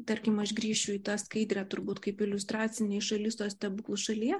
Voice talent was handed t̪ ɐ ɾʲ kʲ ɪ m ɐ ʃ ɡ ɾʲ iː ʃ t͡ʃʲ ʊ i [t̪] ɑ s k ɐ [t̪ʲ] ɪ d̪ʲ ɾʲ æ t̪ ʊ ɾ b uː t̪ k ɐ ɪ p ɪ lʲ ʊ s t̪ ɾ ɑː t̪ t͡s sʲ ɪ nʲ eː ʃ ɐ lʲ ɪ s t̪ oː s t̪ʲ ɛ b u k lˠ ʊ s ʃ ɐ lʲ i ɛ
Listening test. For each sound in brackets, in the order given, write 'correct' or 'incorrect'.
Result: correct, incorrect

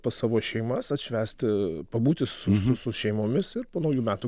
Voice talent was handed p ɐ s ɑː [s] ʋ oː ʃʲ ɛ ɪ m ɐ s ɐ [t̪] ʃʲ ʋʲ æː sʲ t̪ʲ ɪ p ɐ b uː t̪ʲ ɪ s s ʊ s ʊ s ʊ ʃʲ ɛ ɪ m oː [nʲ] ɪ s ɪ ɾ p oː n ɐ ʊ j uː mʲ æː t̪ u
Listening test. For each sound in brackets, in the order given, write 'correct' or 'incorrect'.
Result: incorrect, correct, incorrect

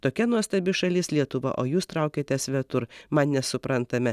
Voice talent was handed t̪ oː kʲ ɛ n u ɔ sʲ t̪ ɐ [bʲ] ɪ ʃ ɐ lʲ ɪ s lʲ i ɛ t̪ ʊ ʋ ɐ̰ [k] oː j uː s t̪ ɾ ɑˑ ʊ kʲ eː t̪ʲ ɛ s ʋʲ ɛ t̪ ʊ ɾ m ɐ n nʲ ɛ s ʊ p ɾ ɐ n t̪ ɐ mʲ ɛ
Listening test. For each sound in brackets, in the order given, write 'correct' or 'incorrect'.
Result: correct, incorrect

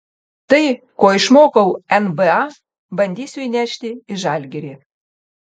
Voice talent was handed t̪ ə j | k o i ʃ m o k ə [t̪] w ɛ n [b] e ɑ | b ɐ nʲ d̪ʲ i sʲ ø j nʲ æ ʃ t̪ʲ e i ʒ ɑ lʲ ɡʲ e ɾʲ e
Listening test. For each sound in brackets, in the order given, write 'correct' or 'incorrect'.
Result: incorrect, correct

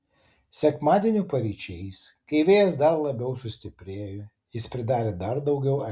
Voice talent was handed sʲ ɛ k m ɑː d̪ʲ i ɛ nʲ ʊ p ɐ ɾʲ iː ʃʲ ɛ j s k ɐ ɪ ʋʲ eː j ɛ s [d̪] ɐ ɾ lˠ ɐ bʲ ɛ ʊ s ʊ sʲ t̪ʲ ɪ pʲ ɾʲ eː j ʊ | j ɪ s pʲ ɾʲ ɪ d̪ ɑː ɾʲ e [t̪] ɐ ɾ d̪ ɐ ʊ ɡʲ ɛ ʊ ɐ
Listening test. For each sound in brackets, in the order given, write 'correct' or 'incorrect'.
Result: correct, incorrect

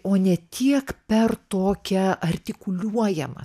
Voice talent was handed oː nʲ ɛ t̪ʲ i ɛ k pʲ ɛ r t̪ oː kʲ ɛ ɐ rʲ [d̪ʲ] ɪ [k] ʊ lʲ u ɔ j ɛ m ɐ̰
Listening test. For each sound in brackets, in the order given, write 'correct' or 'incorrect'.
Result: incorrect, correct

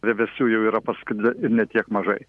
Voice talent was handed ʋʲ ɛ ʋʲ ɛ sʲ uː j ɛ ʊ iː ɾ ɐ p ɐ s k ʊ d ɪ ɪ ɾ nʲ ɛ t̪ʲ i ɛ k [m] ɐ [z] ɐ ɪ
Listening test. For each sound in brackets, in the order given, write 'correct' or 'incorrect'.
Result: correct, incorrect

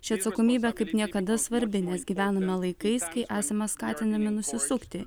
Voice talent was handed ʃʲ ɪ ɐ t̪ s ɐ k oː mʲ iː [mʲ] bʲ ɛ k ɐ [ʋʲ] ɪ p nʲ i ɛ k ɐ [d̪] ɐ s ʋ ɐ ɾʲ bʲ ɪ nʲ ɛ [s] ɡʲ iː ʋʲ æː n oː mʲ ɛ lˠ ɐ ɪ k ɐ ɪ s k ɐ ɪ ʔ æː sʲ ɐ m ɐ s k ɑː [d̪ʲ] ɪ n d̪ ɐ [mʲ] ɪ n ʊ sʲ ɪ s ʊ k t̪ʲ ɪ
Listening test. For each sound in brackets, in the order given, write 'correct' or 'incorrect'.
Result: incorrect, incorrect, correct, correct, incorrect, correct

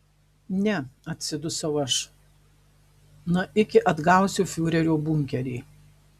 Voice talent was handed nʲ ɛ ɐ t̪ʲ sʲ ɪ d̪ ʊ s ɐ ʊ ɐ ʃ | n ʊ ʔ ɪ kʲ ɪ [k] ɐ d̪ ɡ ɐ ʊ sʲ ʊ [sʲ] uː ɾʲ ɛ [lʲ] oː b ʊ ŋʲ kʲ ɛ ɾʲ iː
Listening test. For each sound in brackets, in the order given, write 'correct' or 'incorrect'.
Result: incorrect, incorrect, incorrect

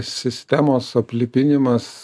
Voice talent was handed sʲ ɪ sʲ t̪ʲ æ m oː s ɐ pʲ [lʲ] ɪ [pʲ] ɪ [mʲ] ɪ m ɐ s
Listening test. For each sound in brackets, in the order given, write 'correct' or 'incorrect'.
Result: correct, correct, incorrect

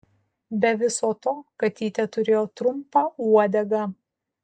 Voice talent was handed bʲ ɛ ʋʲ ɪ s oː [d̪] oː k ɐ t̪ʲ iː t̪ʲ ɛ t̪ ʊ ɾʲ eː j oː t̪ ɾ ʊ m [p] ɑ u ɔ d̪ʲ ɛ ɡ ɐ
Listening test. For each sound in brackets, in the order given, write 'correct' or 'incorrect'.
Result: incorrect, correct

